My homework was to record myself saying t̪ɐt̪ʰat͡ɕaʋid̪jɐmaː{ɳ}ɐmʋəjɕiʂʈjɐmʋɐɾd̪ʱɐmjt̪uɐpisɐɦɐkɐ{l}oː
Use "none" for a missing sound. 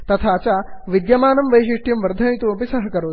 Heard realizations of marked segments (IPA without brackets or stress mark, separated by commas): n, ɾ